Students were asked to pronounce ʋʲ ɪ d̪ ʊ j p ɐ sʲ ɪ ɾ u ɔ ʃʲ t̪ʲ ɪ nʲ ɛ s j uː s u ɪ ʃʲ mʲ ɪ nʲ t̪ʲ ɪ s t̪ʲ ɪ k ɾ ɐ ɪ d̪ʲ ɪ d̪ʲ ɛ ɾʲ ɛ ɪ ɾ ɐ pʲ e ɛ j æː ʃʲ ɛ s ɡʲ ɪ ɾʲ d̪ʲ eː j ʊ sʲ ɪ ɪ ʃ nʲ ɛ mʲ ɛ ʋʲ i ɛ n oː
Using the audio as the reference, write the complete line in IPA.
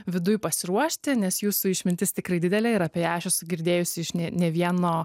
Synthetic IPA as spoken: ʋʲ ɪ d̪ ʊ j p ɐ sʲ ɪ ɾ u ɔ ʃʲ t̪ʲ ɪ nʲ ɛ s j uː s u ɪ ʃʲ mʲ ɪ nʲ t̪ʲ ɪ s t̪ʲ ɪ k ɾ ɐ ɪ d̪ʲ ɪ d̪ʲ ɛ lʲ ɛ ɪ ɾ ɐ pʲ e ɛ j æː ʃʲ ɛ s ɡʲ ɪ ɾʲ d̪ʲ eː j ʊ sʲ ɪ ɪ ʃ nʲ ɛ nʲ ɛ ʋʲ i ɛ n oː

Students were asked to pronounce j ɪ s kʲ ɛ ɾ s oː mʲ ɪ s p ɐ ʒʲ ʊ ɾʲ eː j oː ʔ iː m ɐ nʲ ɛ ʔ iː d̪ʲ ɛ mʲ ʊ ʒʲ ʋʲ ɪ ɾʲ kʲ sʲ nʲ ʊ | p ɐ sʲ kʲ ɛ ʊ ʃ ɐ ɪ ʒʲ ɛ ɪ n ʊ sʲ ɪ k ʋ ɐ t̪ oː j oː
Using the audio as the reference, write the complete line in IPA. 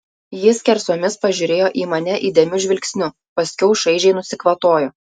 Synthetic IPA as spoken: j ɪ s kʲ ɛ ɾ s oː mʲ ɪ s p ɐ ʒʲ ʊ ɾʲ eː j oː ʔ iː m ɐ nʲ ɛ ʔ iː d̪ʲ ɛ mʲ ʊ ʒʲ ʋʲ ɪ lʲ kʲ sʲ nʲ ʊ | p ɐ sʲ kʲ ɛ ʊ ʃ ɐ ɪ ʒʲ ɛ ɪ n ʊ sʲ ɪ k ʋ ɐ t̪ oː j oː

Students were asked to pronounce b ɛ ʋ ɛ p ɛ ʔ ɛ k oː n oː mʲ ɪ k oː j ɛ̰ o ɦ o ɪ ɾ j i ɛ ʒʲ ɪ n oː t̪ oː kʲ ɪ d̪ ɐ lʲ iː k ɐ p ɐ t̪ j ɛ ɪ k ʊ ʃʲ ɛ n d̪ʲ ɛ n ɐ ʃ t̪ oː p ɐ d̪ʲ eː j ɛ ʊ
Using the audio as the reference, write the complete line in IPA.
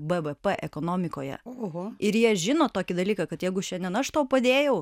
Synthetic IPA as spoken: b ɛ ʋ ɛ p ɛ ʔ ɛ k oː n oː mʲ ɪ k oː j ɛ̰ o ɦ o ɪ ɾ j i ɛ ʒʲ ɪ n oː t̪ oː kʲ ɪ d̪ ɐ lʲ iː k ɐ k ɐ t̪ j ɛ ɪ ɡ ʊ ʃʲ ɛ n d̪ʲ ɛ n ɐ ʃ t̪ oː p ɐ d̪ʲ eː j ɛ ʊ

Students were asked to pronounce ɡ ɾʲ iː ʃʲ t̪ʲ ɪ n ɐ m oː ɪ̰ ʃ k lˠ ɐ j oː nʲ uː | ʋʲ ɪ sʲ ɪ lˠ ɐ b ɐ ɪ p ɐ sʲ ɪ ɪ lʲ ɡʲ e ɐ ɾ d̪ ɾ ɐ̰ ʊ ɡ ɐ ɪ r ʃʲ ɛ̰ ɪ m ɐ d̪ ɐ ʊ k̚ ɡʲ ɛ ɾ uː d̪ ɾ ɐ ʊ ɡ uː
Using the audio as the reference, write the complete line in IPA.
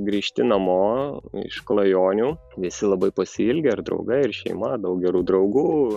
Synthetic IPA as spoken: ɡ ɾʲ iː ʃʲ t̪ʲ ɪ n ɐ m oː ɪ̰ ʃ k lˠ ɐ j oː nʲ uː | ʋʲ ɪ sʲ ɪ lˠ ɐ b ɐ ɪ p ɐ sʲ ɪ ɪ lʲ ɡʲ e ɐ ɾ d̪ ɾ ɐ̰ ʊ ɡ ɐ ɪ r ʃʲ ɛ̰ ɪ m ɐ d̪ ɐ ʊ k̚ ɡʲ ɛ ɾ uː d̪ ɾ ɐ ʊ ɡ uː

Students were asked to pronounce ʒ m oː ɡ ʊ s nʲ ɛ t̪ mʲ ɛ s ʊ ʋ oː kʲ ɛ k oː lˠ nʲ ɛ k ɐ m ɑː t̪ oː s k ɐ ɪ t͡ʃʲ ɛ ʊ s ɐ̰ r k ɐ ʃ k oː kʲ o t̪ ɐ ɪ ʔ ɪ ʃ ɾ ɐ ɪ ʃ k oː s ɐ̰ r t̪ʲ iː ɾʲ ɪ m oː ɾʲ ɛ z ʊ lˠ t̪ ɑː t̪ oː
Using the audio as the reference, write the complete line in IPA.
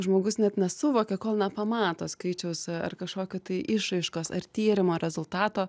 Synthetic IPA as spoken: ʒ m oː ɡ ʊ s nʲ ɛ t̪ nʲ ɛ s ʊ ʋ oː kʲ ɛ k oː lˠ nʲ ɛ p ɐ m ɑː t̪ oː s k ɐ ɪ t͡ʃʲ ɛ ʊ s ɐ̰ r k ɐ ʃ k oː kʲ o t̪ ɐ ɪ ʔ ɪ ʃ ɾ ɐ ɪ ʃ k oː s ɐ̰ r t̪ʲ iː ɾʲ ɪ m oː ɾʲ ɛ z ʊ lˠ t̪ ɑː t̪ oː

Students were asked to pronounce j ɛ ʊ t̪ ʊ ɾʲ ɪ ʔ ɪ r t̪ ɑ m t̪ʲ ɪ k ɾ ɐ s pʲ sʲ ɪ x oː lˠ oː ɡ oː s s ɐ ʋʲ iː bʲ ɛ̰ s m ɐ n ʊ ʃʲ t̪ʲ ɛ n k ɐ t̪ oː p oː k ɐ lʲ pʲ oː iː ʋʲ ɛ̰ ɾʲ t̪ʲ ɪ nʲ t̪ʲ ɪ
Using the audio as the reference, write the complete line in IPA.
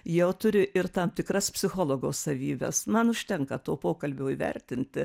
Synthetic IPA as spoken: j ɛ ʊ t̪ ʊ ɾʲ ɪ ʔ ɪ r t̪ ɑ m t̪ʲ ɪ k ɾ ɐ s pʲ sʲ ɪ x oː lˠ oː ɡ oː s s ɐ ʋʲ iː bʲ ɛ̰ s m ɐ n ʊ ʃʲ t̪ʲ ɛ ŋ k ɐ t̪ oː p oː k ɐ lʲ bʲ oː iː ʋʲ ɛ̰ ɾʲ t̪ʲ ɪ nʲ t̪ʲ ɪ

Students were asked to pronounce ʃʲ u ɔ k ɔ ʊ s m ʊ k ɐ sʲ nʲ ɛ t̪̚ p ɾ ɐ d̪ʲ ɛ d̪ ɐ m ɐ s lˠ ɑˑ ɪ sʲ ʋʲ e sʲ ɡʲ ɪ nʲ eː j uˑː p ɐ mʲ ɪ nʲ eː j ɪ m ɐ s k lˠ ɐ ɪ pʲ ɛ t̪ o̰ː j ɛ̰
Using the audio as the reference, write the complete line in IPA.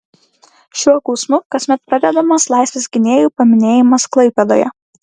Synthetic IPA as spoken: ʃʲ u ɔ k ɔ ʊ s m ʊ k ɐ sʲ mʲ ɛ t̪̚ p ɾ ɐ d̪ʲ ɛ d̪ ɐ m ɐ s lˠ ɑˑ ɪ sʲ ʋʲ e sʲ ɡʲ ɪ nʲ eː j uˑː p ɐ mʲ ɪ nʲ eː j ɪ m ɐ s k lˠ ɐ ɪ pʲ ɛ d̪ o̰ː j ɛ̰

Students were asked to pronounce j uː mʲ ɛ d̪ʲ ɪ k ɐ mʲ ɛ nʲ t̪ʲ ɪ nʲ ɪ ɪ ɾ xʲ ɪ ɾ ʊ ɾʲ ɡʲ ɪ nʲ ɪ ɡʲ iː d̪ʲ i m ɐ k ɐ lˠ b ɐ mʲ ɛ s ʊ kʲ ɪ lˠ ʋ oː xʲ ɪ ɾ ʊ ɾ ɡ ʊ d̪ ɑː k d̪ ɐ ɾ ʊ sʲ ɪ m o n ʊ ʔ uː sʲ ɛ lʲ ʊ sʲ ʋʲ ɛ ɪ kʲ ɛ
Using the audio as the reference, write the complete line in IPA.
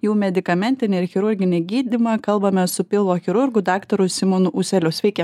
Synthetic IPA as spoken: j uː mʲ ɛ d̪ʲ ɪ k ɐ mʲ ɛ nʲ t̪ʲ ɪ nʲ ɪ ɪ ɾ xʲ ɪ ɾ ʊ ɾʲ ɡʲ ɪ nʲ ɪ ɡʲ iː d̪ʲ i m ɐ k ɐ lˠ b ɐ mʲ ɛ s ʊ pʲ ɪ lˠ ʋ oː xʲ ɪ ɾ ʊ ɾ ɡ ʊ d̪ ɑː k t̪ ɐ ɾ ʊ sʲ ɪ m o n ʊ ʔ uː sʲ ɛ lʲ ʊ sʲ ʋʲ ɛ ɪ kʲ ɛ

